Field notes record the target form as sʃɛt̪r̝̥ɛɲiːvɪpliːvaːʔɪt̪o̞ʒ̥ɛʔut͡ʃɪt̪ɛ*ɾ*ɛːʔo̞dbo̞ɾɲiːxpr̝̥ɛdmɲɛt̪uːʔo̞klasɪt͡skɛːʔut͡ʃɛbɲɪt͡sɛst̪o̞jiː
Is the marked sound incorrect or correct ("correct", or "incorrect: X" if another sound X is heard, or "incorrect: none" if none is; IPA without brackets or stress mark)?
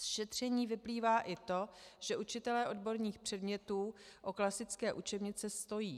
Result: incorrect: l